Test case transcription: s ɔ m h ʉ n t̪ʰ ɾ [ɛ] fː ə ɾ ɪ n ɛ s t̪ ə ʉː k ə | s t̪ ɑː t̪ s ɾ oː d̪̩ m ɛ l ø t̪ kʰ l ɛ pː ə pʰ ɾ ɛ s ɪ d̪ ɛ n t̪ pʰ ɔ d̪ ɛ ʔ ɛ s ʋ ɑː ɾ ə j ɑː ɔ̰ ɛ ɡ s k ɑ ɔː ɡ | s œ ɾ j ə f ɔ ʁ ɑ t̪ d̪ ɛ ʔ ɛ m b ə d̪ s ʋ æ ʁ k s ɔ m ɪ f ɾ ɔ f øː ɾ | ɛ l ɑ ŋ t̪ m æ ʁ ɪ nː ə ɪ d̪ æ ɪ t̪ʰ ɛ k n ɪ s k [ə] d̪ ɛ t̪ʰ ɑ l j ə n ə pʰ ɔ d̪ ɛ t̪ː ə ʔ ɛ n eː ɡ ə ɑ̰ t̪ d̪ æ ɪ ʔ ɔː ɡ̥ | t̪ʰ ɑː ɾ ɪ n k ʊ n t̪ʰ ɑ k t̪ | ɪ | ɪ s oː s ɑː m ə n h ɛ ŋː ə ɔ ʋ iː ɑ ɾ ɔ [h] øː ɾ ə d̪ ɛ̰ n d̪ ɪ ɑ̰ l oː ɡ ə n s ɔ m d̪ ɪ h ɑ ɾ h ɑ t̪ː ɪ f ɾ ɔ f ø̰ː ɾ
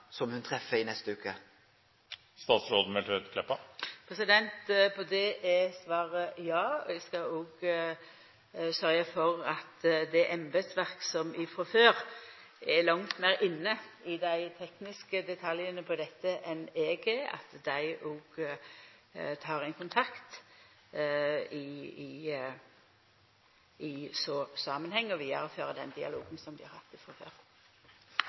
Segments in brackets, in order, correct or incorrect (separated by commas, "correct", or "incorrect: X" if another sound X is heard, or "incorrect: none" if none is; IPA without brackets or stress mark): correct, correct, incorrect: f